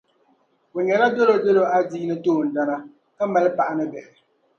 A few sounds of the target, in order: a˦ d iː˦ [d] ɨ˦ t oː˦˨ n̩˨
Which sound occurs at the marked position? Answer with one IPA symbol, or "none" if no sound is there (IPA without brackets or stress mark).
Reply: n